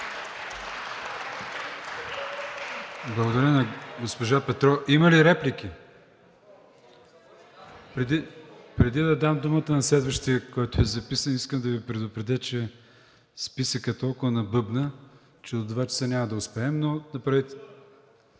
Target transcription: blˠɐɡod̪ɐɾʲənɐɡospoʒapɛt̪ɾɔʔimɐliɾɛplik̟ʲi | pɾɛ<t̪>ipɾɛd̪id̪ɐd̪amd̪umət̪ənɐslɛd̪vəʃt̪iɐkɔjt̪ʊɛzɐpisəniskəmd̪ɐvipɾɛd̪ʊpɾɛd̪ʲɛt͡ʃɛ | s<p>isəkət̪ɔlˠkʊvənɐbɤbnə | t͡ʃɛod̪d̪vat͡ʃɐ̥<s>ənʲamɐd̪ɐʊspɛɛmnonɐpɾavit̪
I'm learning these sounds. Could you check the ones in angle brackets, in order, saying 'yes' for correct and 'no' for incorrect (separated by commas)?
no, yes, yes